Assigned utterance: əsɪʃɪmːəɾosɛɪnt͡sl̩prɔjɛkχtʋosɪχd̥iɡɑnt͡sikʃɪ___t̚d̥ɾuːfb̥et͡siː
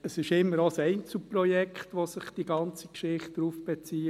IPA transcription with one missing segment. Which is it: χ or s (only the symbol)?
χ